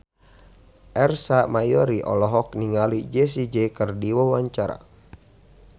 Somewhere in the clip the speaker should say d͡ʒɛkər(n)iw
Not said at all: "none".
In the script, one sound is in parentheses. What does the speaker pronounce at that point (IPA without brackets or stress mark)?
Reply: d